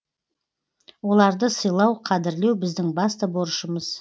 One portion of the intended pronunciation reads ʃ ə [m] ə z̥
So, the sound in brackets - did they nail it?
yes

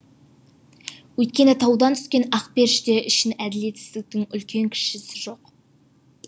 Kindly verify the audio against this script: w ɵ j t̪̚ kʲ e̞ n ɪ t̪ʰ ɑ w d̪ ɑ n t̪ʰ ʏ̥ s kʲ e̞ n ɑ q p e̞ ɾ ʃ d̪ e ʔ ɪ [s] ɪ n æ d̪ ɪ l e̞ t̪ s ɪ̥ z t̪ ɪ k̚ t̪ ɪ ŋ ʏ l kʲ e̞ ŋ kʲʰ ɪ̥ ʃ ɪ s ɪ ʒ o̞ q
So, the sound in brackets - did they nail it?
no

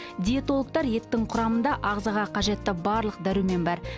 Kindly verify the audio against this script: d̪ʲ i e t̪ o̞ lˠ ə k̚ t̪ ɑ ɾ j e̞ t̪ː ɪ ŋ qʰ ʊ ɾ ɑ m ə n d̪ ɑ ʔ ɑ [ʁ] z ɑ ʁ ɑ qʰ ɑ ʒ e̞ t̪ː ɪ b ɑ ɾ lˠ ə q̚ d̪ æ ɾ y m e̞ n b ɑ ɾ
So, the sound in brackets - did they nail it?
yes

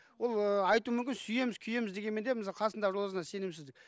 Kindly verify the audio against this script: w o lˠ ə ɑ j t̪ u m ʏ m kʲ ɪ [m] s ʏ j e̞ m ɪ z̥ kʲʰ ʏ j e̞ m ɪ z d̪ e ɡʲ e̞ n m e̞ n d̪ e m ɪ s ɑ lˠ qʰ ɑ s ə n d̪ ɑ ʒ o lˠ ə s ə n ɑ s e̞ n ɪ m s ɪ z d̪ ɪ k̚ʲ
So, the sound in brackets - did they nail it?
no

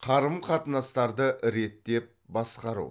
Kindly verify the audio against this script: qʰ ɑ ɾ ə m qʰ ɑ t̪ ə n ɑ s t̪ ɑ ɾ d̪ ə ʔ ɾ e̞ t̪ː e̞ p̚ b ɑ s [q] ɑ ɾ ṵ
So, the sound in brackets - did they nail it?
yes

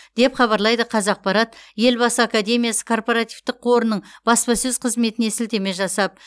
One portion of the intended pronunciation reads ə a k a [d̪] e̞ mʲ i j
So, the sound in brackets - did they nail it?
yes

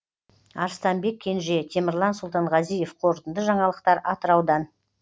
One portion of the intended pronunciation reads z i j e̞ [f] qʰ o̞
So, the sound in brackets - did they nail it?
yes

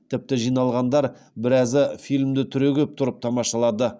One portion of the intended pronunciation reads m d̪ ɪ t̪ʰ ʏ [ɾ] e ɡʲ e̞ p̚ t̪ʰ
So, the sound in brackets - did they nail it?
yes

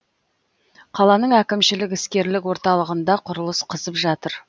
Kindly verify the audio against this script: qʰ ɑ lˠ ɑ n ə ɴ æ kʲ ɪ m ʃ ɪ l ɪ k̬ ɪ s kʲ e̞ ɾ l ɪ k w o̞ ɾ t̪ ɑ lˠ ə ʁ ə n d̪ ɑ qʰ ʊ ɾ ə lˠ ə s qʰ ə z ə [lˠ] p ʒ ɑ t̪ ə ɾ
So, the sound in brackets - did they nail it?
no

